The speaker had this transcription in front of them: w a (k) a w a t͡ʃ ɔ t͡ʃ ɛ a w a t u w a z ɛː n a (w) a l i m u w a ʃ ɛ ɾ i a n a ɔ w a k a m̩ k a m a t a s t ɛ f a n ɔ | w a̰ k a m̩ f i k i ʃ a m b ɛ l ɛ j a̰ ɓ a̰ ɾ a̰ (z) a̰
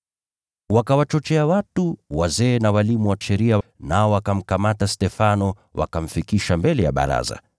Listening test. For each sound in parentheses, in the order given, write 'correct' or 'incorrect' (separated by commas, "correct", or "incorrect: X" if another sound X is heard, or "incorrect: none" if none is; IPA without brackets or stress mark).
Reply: correct, correct, correct